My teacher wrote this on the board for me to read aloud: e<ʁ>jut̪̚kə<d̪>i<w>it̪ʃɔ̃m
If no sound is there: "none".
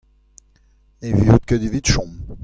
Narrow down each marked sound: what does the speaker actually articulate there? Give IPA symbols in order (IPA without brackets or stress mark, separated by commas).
v, d̪, v